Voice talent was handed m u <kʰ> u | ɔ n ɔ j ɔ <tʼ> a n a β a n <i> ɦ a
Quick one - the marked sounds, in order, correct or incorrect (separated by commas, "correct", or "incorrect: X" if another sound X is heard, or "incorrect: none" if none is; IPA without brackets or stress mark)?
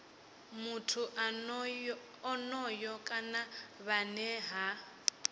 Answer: incorrect: tʰ, incorrect: kʼ, incorrect: ɛ